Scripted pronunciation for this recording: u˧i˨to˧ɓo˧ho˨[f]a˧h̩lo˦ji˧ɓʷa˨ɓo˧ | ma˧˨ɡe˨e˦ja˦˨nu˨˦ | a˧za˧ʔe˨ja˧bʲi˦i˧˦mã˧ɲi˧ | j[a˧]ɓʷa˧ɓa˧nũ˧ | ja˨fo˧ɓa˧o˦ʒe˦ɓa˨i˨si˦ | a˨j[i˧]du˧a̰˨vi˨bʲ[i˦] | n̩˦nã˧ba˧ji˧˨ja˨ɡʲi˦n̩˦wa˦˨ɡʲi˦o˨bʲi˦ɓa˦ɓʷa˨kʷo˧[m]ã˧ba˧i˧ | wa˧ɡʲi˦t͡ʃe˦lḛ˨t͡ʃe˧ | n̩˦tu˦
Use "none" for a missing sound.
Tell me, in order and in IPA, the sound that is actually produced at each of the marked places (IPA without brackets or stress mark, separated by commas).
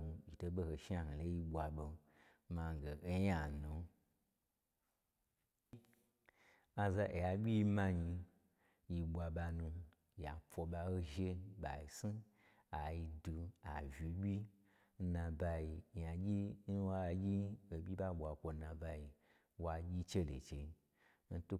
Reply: ʃ, i˧, i˧, i˦, n